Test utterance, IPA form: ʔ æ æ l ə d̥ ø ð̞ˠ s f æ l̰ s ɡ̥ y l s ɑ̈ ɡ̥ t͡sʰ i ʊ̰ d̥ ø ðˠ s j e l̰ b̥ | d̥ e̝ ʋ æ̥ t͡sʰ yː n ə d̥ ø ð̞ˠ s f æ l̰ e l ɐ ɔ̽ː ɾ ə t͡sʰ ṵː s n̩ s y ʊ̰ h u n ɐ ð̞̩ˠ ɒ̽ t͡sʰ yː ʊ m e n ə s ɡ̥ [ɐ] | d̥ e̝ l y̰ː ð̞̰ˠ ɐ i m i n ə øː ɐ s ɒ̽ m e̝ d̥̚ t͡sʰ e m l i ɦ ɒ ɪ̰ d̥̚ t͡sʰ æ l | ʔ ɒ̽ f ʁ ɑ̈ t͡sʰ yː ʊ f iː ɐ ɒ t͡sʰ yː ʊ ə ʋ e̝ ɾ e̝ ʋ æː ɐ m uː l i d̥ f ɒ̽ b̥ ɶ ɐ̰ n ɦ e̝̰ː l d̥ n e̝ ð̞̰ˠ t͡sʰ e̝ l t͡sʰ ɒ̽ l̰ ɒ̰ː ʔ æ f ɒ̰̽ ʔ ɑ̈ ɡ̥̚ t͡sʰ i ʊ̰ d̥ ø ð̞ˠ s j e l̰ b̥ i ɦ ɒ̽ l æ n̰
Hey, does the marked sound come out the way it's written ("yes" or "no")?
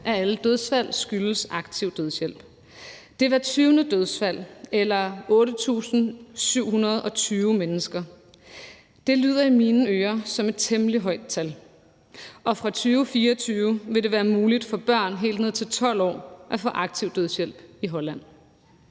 yes